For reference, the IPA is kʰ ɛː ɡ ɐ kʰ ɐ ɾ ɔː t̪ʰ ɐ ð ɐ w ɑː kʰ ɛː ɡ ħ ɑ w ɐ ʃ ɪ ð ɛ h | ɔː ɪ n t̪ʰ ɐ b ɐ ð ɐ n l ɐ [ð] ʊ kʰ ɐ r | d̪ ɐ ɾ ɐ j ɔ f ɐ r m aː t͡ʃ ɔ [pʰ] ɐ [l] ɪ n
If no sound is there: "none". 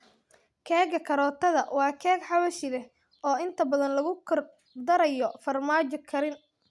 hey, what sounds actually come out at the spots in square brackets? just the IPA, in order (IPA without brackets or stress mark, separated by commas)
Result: ɣ, kʰ, ɾ